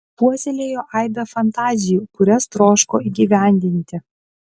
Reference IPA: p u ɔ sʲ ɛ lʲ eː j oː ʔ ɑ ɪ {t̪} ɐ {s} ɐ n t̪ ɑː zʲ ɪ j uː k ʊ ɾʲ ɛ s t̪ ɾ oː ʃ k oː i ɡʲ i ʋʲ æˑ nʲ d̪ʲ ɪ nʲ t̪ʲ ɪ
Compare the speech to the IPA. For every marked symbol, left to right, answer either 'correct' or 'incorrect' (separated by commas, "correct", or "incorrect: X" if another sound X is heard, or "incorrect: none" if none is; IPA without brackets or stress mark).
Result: incorrect: d̪, incorrect: f